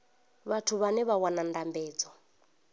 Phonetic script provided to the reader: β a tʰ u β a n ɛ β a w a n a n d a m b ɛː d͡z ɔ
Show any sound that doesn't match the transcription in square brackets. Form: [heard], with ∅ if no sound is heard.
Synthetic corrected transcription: β a tʰ u β a n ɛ β a w a n a n d a m b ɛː d͡z ɔ